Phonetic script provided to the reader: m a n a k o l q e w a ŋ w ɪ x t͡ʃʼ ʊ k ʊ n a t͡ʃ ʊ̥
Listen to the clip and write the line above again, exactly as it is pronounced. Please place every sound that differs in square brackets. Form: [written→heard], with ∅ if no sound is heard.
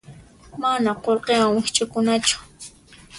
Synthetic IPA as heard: m a n a [k→q] o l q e w a ŋ w ɪ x t͡ʃʼ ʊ k ʊ n a t͡ʃ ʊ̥